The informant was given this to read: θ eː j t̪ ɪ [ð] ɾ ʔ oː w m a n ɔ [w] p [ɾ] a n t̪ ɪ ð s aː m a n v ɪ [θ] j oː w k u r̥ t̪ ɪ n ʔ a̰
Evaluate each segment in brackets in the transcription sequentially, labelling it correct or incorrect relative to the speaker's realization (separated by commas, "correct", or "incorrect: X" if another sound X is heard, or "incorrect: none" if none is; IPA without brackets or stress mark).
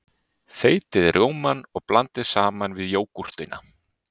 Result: correct, incorrect: ɣ, incorrect: l, incorrect: ð